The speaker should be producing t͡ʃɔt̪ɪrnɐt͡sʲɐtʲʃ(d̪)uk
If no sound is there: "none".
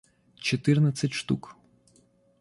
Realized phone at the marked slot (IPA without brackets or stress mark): t̪